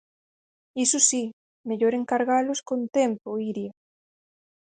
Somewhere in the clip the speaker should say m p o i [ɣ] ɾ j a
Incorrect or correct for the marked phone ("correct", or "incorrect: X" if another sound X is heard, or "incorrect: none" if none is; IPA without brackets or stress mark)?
incorrect: none